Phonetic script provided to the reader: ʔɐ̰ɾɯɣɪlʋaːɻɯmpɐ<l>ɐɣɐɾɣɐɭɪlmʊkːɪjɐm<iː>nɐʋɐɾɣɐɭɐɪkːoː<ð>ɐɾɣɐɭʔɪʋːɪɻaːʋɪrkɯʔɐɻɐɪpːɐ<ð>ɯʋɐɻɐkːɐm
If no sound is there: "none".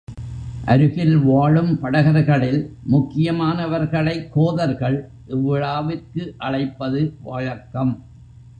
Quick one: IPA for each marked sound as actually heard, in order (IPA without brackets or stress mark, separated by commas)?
ɽ, aː, ð, ð